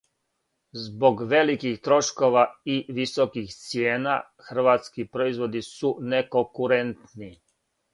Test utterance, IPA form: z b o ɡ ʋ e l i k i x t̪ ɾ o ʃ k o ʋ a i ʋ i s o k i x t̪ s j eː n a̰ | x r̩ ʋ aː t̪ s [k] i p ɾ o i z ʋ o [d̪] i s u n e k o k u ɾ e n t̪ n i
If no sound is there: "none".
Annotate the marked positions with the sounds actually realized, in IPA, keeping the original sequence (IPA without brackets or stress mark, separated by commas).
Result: k, d̪